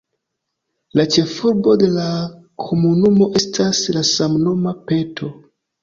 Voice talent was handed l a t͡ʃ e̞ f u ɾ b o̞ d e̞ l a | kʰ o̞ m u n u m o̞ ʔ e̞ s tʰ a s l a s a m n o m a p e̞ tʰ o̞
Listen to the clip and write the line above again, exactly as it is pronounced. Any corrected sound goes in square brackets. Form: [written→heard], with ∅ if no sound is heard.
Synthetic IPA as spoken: l a t͡ʃ e̞ f u ɾ b o̞ d e̞ l a | kʰ o̞ m u n u m o̞ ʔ e̞ s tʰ a s l a s a m n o m a p e̞ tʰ o̞